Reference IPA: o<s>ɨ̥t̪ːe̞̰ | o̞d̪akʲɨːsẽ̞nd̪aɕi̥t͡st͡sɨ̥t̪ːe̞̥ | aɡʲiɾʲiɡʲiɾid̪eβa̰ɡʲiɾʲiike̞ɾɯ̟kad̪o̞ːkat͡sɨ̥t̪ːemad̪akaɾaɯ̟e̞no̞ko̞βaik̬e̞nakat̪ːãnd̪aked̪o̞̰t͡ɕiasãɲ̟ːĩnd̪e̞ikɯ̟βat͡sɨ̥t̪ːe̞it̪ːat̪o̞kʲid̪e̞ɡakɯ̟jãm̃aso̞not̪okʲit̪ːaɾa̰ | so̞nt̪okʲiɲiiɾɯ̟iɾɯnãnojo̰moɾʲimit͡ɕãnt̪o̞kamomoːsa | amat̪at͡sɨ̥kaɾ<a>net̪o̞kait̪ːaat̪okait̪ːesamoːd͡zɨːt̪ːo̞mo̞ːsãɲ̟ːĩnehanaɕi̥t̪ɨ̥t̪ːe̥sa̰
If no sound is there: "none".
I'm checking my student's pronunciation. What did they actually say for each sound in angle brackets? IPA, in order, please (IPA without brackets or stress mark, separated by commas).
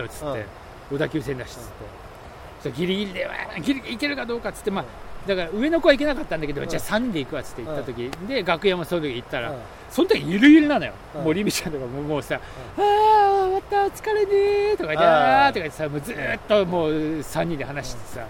t͡s, e